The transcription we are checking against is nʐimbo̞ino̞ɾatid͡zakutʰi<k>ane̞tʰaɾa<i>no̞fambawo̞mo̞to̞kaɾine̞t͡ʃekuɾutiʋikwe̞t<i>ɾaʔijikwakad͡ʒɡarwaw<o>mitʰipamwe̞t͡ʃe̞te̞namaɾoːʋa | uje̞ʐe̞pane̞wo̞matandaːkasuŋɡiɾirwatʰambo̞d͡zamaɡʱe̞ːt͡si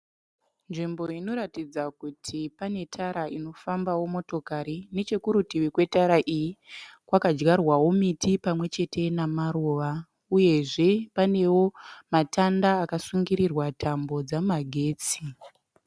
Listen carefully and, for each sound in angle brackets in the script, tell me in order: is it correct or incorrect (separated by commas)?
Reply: incorrect, correct, incorrect, correct